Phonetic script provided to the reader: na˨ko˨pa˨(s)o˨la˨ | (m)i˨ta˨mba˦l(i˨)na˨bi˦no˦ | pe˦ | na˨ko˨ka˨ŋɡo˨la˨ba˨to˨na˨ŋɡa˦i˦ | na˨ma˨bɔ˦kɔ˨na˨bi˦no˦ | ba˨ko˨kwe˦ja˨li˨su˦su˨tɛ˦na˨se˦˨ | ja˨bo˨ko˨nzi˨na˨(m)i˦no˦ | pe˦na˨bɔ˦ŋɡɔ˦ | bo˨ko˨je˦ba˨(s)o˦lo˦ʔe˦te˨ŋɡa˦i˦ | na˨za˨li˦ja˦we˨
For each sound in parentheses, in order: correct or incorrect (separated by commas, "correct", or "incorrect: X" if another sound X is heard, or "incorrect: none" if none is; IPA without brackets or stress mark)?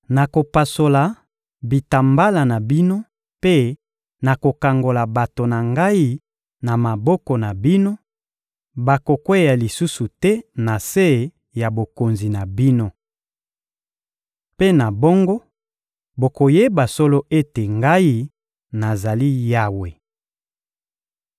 correct, incorrect: b, incorrect: a˨, incorrect: b, correct